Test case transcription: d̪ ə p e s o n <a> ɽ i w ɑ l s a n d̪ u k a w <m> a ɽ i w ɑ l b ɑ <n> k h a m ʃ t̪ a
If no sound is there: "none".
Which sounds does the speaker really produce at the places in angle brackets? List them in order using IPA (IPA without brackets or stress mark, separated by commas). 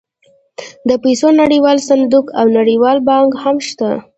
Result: a, n, ŋ